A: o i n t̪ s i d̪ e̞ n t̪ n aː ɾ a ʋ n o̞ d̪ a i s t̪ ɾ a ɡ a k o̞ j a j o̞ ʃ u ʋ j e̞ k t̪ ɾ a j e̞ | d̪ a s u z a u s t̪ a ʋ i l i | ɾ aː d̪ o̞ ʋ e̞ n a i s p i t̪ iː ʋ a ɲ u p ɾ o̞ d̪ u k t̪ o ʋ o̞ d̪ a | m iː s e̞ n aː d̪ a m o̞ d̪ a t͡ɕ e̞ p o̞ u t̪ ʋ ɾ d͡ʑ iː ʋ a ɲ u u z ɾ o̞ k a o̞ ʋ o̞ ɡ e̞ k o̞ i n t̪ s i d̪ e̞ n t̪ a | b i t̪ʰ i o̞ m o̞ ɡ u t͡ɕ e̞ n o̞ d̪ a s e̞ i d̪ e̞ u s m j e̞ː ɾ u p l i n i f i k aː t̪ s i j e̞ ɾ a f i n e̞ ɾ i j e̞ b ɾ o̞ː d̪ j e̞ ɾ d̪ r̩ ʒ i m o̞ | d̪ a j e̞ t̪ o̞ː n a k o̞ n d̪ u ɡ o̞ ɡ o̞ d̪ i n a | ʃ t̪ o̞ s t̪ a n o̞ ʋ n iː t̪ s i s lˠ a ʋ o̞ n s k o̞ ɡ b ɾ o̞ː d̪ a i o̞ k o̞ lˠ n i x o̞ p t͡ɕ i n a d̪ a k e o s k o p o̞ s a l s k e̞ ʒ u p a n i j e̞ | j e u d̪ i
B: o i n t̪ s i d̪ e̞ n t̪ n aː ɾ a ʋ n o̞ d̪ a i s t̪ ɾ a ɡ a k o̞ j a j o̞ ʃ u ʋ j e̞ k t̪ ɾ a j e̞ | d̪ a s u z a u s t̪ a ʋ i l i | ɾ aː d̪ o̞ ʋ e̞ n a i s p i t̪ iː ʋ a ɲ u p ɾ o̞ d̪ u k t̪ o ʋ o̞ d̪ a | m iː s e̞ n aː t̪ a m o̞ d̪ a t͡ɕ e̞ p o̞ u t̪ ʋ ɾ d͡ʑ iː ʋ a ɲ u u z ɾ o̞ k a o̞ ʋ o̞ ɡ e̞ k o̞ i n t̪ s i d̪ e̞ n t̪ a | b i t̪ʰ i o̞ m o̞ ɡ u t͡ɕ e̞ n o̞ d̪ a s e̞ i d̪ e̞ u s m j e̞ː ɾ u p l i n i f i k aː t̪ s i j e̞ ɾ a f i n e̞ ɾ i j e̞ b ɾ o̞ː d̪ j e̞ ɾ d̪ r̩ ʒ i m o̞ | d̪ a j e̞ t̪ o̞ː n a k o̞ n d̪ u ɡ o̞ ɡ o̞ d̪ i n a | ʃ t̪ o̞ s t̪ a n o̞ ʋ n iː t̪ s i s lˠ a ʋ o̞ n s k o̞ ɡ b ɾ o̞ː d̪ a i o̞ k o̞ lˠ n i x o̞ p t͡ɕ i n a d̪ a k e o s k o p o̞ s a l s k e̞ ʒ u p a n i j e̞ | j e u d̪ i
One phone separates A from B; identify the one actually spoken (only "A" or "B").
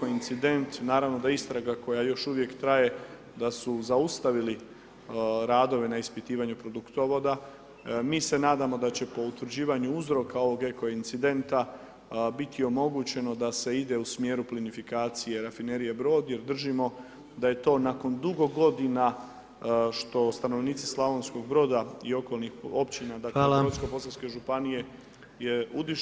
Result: A